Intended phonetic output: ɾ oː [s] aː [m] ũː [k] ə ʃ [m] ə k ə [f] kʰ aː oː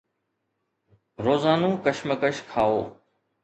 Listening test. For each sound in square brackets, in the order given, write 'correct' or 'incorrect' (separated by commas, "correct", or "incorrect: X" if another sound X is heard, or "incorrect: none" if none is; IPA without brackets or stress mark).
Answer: incorrect: z, incorrect: n, correct, correct, incorrect: ʃ